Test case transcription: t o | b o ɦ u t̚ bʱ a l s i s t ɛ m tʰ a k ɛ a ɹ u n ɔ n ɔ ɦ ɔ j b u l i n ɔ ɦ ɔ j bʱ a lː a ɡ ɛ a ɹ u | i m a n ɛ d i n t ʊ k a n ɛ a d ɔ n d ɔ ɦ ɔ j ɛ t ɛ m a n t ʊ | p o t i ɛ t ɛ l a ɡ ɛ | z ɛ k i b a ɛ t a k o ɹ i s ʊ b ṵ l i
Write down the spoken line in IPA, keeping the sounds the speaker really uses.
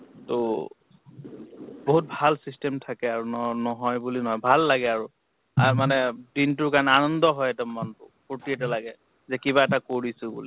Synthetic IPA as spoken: t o | b o ɦ u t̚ bʱ a l s i s t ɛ m tʰ a k ɛ a ɹ u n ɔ n ɔ ɦ ɔ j b u l i n ɔ ɦ ɔ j bʱ a lː a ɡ ɛ a ɹ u | a m a n ɛ d i n t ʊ k a n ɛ a n ɔ n d ɔ ɦ ɔ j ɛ t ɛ m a n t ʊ | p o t i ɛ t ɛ l a ɡ ɛ | z ɛ k i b a ɛ t a k o ɹ i s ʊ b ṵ l i